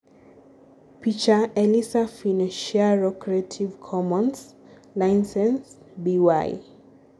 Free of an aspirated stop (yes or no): no